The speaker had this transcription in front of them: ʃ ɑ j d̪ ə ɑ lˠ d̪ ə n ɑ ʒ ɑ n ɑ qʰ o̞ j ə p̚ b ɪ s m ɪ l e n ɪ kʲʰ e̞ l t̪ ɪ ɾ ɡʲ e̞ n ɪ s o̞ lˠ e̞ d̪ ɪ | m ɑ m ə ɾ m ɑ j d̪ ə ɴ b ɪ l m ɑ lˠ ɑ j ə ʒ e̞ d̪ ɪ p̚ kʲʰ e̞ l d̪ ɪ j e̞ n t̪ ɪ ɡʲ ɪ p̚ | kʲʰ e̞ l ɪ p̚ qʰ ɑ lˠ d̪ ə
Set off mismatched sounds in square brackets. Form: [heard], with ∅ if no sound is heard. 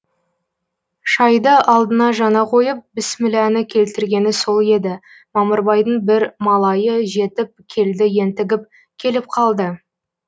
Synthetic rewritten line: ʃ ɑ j d̪ ə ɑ lˠ d̪ ə n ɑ ʒ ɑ n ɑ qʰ o̞ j ə p̚ b ɪ s m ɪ l [æ] n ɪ kʲʰ e̞ l t̪ ɪ ɾ ɡʲ e̞ n ɪ s o̞ lˠ e̞ d̪ ɪ | m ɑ m ə ɾ [b] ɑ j d̪ ə ɴ b ɪ [ɾ] m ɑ lˠ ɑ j ə ʒ e̞ [t̪] ɪ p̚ kʲʰ e̞ l d̪ ɪ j e̞ n t̪ ɪ ɡʲ ɪ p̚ | kʲʰ e̞ l ɪ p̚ qʰ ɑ lˠ d̪ ə